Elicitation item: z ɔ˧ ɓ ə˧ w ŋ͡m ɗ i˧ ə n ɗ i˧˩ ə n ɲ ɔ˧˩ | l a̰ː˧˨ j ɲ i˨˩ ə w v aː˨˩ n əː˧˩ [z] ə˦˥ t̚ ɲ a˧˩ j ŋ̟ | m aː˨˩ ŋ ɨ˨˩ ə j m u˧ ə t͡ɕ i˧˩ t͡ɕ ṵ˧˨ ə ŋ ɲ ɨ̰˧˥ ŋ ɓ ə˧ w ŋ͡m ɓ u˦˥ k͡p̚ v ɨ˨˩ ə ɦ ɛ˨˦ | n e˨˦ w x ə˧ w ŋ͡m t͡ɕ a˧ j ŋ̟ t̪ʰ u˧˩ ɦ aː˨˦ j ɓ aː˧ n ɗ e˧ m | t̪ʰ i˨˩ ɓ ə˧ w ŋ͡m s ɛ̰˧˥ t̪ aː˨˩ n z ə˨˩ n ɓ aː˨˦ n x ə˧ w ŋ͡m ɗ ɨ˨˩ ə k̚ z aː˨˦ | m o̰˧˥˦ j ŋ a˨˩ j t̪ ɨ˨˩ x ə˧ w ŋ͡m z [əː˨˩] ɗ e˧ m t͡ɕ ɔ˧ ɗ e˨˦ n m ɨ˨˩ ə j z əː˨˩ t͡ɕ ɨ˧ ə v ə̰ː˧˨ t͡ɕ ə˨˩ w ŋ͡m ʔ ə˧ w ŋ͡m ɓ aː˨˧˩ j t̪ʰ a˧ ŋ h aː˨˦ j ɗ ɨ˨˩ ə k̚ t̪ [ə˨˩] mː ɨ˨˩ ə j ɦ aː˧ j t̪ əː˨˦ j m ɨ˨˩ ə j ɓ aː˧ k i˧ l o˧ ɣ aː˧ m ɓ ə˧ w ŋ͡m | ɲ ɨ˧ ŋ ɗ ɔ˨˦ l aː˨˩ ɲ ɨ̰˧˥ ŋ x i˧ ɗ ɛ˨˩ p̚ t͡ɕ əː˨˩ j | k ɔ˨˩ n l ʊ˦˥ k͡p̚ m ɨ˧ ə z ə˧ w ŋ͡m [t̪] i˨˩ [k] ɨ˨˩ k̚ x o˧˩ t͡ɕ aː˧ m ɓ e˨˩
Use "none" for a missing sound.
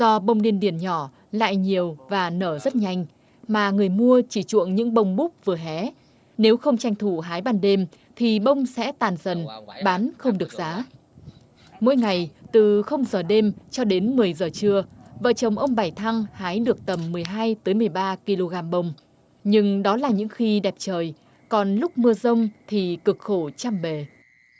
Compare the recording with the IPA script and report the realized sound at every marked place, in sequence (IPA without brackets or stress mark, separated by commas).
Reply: z, əː˨˩, ə˨˩, t̪ʰ, k